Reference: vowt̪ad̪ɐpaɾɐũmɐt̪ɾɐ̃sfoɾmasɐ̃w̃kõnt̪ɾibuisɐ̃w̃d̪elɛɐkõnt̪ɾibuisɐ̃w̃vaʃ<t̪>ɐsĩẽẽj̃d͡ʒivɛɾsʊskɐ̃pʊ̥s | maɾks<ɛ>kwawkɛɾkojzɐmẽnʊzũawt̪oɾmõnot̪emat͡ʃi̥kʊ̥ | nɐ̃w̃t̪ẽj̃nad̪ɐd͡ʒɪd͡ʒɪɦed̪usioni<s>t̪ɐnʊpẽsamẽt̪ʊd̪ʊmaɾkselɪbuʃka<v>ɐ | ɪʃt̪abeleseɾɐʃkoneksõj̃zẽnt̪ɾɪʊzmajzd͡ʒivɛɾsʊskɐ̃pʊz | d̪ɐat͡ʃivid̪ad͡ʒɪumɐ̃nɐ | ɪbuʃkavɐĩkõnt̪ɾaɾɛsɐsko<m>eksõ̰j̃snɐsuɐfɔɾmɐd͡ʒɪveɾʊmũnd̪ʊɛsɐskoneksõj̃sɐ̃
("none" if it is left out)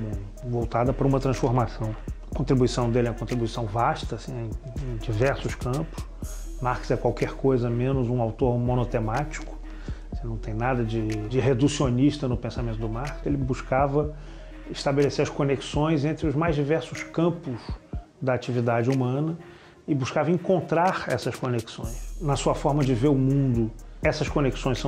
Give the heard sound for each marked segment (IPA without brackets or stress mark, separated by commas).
t̪, ɛ, ʃ, v, n